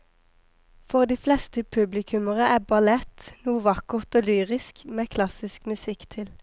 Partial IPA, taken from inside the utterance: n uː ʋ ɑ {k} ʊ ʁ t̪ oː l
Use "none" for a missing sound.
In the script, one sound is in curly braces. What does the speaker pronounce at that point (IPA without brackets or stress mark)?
k